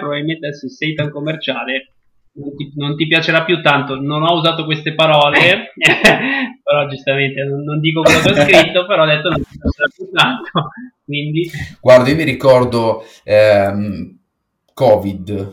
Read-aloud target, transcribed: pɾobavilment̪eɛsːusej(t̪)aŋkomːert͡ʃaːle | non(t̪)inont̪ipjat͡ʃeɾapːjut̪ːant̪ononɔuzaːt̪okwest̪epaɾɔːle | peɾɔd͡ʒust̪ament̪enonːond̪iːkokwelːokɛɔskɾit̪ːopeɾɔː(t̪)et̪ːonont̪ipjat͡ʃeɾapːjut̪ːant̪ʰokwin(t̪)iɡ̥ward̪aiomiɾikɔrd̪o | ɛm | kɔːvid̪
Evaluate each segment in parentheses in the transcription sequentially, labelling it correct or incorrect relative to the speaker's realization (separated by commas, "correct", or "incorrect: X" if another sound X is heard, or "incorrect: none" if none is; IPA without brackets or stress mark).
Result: correct, correct, incorrect: d̪, incorrect: d̪